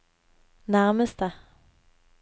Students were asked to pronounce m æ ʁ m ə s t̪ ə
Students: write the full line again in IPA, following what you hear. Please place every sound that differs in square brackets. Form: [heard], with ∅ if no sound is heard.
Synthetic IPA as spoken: [n] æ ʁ m ə s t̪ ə